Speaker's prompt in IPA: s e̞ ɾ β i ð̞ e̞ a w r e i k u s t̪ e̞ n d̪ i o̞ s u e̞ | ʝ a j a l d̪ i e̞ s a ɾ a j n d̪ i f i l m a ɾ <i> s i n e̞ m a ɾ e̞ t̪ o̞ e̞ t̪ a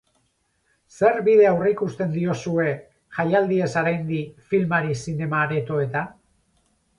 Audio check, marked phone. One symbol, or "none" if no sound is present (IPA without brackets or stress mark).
i